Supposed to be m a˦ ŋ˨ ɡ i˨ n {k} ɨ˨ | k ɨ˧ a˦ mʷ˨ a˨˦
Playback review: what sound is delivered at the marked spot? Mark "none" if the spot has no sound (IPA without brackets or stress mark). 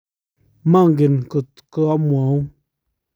k